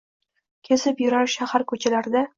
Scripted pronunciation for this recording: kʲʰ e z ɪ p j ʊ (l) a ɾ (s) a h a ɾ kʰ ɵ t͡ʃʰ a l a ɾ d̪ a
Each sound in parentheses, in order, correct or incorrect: incorrect, incorrect

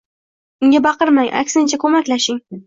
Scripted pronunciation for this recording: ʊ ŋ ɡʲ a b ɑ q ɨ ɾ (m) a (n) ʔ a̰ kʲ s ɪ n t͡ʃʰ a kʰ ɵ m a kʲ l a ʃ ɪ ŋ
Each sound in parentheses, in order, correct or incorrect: correct, incorrect

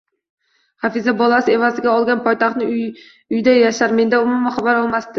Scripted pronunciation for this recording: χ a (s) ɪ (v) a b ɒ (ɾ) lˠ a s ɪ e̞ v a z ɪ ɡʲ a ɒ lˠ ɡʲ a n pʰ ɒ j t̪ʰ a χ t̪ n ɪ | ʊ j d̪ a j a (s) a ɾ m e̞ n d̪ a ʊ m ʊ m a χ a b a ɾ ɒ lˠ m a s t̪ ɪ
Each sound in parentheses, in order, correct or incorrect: incorrect, incorrect, incorrect, incorrect

